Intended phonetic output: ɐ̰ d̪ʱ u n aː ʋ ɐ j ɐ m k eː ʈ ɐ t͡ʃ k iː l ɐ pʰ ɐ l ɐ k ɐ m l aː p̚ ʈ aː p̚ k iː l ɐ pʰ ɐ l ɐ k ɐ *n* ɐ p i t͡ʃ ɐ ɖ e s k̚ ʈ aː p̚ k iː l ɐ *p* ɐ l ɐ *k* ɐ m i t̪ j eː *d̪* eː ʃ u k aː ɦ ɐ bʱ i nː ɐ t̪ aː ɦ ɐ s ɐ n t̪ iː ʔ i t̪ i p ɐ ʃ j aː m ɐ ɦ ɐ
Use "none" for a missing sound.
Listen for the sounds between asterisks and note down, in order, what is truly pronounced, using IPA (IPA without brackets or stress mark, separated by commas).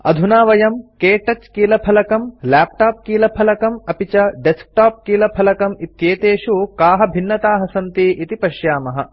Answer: m, pʰ, k, t̪